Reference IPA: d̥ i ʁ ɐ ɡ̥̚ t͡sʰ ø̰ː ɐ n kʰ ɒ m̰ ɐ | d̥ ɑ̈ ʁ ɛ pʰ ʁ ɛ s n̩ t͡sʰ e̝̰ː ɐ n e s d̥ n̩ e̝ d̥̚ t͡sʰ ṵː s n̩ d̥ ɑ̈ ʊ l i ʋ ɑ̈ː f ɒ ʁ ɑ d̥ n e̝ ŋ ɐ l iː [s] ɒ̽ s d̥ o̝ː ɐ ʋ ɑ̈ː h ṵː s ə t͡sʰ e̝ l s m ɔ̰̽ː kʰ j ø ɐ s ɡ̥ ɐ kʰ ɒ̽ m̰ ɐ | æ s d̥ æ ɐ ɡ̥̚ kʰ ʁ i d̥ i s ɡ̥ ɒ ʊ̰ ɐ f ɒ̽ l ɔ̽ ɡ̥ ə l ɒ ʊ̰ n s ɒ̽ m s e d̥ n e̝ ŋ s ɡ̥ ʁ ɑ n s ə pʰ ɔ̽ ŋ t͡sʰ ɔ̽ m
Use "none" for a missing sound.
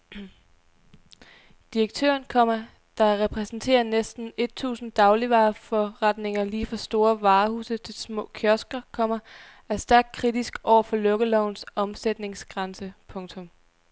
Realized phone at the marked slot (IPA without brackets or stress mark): f